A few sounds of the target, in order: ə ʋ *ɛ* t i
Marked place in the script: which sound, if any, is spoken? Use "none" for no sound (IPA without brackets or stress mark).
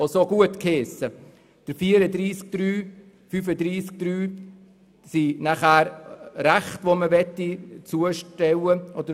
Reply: ɛ